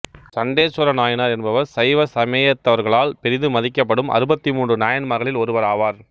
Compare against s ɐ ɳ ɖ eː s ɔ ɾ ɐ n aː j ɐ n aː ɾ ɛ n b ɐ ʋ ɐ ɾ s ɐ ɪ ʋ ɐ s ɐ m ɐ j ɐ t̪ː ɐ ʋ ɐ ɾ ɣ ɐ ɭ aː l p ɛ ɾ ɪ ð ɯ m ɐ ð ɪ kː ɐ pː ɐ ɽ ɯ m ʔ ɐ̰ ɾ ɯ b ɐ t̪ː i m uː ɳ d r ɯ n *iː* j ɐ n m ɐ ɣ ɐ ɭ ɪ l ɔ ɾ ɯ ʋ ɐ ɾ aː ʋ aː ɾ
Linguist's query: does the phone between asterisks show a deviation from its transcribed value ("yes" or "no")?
yes